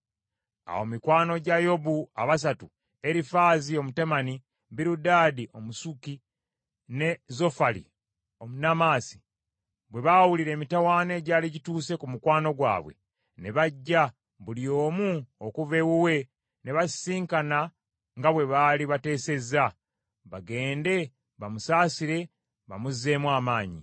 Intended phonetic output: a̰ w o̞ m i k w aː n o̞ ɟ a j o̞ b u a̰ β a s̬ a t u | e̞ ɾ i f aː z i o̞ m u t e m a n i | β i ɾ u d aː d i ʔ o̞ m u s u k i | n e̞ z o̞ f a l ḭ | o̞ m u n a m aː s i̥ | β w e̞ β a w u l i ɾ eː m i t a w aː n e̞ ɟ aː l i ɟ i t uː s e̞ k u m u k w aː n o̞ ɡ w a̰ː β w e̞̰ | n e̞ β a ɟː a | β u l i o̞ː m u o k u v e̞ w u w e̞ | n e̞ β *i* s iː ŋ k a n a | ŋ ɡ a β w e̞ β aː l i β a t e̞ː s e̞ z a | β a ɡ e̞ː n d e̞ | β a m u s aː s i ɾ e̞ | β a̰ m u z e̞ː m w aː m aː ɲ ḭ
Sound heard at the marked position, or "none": a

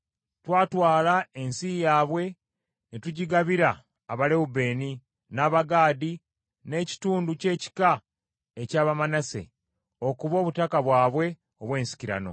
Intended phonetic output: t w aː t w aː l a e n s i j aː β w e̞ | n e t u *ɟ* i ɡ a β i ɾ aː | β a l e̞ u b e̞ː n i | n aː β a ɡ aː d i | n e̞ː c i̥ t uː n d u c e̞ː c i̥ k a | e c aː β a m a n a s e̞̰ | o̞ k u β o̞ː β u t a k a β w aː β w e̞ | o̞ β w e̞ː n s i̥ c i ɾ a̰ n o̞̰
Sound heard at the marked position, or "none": ɟ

